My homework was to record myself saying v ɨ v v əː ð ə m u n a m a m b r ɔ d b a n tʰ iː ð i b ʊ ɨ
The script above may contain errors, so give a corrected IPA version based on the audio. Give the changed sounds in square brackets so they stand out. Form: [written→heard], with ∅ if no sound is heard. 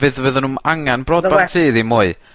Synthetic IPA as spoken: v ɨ [v→ð] v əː ð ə [m→n] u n a [m→ŋ] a [m→n] b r ɔ d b a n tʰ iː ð i [b→m] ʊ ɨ